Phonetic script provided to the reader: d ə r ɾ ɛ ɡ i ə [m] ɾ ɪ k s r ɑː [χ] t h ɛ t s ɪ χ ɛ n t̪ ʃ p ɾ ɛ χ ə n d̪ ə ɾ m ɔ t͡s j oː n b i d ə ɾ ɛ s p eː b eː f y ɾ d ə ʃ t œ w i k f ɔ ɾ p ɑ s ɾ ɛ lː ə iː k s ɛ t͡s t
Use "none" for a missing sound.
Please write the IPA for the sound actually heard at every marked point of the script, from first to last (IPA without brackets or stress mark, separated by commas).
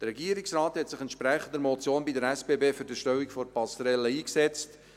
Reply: none, none